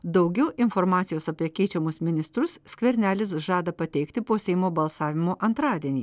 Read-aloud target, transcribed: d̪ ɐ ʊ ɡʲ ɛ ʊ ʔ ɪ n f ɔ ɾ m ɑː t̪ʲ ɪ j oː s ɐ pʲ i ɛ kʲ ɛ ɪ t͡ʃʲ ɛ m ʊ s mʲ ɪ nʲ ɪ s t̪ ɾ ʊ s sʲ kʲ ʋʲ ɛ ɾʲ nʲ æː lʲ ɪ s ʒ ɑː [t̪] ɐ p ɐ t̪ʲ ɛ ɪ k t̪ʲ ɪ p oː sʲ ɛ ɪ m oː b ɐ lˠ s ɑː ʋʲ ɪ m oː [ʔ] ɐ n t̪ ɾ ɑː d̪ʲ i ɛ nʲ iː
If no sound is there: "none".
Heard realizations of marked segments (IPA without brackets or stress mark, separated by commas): d̪, ʔ